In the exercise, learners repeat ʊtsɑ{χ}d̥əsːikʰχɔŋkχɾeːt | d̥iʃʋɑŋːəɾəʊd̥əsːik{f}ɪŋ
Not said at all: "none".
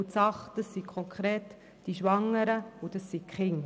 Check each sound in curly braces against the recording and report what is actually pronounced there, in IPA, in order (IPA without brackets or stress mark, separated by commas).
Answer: χ, χ